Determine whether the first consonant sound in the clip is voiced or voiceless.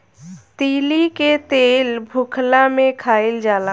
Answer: voiceless